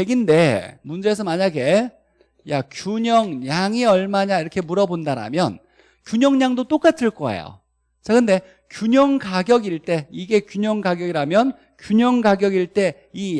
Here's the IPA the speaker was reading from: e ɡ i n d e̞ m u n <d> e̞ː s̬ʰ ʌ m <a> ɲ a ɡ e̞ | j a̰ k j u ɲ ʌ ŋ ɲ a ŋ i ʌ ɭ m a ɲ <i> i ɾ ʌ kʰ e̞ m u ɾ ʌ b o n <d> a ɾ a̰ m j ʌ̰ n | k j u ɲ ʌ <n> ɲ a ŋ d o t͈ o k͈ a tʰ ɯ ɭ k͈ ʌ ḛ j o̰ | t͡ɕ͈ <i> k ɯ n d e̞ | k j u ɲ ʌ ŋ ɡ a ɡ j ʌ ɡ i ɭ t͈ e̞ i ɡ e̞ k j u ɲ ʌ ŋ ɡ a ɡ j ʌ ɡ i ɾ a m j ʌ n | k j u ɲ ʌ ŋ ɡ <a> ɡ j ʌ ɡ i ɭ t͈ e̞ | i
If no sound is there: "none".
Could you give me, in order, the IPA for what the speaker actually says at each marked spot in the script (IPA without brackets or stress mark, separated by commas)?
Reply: d͡ʑ, a, a, d, ŋ, a, a